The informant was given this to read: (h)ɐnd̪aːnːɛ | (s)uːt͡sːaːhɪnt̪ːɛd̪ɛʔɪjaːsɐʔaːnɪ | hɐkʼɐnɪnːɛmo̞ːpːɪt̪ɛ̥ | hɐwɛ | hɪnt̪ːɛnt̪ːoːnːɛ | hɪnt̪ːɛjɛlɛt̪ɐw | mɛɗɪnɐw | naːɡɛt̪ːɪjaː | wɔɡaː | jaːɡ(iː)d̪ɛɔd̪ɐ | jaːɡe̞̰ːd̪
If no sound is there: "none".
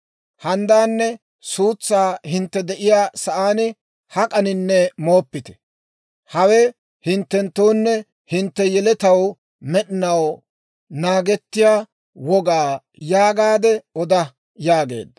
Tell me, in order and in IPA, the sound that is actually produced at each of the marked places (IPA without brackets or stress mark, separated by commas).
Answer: h, s, aː